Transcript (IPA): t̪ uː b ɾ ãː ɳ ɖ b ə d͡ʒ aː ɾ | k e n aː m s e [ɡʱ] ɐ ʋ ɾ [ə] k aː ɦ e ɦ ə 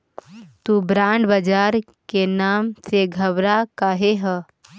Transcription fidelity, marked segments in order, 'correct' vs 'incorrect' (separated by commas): correct, incorrect